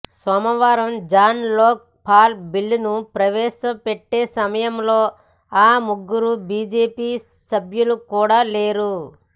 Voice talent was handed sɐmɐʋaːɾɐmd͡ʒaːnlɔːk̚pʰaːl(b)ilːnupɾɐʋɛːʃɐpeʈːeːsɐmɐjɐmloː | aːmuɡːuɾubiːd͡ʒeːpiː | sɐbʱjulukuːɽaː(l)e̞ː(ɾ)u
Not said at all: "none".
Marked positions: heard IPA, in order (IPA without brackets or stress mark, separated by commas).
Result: b, l, ɾ